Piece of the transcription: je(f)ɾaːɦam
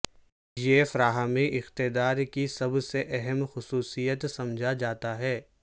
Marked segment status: correct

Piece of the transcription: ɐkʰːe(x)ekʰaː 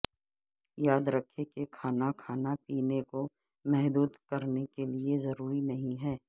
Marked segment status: incorrect: k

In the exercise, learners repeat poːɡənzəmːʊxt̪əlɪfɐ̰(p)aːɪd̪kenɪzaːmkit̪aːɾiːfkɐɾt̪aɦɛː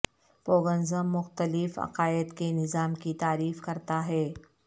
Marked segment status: incorrect: q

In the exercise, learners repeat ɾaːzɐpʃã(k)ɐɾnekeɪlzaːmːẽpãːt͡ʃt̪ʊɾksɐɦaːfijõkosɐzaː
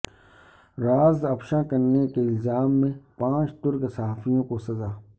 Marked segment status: correct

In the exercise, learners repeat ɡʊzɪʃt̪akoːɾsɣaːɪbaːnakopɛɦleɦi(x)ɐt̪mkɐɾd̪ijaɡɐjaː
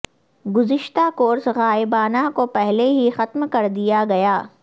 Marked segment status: correct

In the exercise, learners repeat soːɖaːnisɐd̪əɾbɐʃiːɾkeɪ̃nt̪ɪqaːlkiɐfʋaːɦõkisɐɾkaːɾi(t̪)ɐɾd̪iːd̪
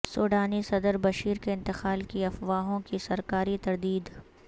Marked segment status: correct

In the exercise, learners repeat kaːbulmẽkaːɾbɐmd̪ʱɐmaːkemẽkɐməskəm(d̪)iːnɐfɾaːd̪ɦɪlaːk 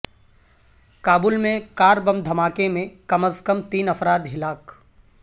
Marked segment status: incorrect: t̪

